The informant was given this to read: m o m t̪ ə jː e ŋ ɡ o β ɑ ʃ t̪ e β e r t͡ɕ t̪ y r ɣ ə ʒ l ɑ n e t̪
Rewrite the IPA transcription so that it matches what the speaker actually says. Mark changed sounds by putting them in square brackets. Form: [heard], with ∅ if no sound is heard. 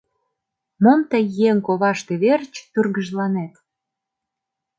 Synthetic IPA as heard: m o m t̪ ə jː e ŋ [k] o β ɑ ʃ t̪ e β e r t͡ɕ t̪ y r ɣ ə ʒ l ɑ n e t̪